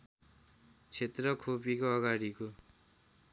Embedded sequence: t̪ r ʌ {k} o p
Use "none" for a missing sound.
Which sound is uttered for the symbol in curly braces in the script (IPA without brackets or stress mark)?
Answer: kʰ